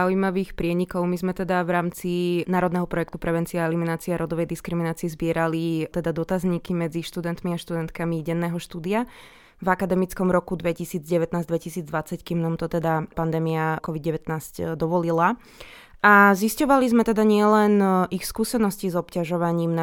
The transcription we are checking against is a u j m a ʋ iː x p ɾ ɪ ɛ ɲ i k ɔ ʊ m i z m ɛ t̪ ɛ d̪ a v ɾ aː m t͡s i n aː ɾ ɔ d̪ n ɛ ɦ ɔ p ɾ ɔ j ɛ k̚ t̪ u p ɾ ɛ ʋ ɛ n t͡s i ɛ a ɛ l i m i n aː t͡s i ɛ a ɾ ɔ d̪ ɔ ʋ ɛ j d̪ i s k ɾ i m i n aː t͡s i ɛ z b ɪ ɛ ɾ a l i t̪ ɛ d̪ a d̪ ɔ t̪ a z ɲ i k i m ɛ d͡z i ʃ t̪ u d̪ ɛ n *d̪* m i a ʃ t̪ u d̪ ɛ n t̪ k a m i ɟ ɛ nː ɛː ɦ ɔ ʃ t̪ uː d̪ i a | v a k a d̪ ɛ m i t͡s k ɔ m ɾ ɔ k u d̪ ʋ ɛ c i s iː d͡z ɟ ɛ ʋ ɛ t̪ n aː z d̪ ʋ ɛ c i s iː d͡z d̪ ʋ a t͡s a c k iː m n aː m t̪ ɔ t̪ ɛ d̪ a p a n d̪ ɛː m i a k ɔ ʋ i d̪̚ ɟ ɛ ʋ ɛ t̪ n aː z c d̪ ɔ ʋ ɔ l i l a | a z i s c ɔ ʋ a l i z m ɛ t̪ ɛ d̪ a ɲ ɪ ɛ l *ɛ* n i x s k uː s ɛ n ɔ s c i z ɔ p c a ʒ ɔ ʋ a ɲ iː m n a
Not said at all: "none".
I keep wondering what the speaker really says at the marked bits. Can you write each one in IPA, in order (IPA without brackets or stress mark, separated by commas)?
t̪, ɛ